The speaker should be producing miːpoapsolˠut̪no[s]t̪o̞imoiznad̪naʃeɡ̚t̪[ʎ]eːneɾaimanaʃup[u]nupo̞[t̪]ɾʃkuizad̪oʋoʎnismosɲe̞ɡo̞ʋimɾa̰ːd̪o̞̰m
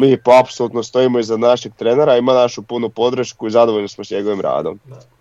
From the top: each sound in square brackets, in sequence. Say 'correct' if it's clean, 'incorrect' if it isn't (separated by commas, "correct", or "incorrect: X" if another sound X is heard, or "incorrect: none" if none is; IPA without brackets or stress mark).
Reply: correct, incorrect: ɾ, correct, incorrect: d̪